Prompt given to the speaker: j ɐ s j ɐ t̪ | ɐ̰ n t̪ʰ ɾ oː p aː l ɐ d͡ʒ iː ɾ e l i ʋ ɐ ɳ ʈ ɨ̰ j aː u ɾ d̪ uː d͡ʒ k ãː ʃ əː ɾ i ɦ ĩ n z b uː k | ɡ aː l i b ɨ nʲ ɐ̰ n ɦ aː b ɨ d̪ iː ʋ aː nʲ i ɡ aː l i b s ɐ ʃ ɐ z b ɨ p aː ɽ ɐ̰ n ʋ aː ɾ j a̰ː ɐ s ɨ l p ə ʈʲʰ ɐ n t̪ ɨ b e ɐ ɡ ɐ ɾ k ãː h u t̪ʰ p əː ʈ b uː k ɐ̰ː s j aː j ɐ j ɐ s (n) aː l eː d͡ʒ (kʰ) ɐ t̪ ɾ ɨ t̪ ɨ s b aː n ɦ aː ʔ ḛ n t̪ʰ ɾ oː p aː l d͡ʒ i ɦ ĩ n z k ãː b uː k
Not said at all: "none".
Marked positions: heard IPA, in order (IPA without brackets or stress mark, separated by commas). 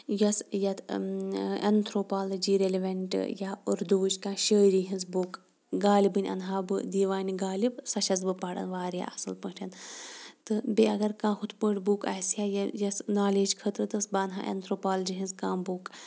n, kʰ